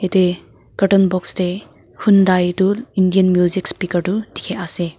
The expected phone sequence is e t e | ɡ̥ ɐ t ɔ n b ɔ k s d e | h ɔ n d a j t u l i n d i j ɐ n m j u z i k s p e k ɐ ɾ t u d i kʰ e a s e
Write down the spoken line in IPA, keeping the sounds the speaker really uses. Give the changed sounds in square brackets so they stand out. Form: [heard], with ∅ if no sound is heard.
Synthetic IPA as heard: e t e | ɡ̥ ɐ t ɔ n b ɔ k s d e | h [u] n d a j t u l i n d i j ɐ n m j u z i k s p [i] k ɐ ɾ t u d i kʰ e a s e